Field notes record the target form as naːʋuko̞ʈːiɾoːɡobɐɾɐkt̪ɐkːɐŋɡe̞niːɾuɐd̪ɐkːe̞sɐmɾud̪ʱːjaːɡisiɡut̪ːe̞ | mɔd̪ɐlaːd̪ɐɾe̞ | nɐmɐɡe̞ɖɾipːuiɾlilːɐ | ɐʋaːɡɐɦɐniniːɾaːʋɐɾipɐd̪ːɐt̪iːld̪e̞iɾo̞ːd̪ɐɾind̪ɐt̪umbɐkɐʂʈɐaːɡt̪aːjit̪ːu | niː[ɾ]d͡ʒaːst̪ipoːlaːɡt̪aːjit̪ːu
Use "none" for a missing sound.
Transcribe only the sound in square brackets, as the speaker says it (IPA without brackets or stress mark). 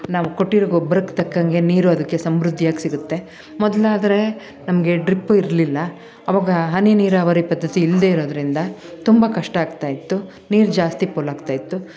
ɾ